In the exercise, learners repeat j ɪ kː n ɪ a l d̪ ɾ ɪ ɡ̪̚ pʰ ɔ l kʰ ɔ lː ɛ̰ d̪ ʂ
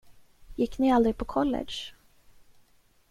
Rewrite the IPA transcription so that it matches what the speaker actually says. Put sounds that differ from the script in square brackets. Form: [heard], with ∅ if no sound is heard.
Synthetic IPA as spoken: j ɪ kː n ɪ a l d̪ ɾ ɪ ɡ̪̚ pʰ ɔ [∅] kʰ ɔ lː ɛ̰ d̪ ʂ